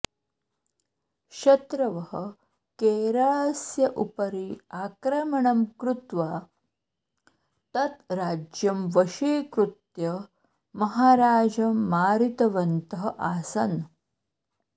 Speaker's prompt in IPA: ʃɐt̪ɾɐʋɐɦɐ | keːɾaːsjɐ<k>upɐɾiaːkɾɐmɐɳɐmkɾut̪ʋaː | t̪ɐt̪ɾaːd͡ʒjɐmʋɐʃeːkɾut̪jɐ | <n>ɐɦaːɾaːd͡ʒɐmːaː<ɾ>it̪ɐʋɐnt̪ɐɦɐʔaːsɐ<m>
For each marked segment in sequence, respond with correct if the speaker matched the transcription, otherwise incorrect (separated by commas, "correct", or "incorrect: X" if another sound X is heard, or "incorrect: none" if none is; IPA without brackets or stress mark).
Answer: incorrect: ʔ, incorrect: m, correct, incorrect: n